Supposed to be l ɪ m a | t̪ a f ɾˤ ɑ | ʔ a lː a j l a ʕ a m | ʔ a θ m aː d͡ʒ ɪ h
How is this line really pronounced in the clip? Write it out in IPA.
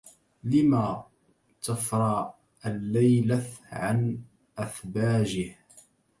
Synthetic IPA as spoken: l ɪ m a | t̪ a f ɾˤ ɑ | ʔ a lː a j l a ʕ a n | ʔ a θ b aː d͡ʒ ɪ h